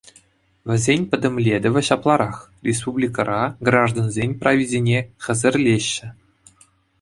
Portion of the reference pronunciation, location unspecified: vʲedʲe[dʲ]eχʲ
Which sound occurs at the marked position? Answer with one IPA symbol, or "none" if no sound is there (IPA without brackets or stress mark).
nʲ